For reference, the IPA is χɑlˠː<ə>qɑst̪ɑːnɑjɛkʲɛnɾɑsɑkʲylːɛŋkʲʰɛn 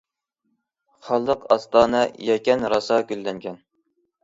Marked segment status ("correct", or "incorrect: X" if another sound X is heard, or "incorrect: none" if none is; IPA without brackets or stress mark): correct